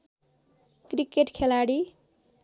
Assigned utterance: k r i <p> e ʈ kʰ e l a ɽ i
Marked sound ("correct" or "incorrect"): incorrect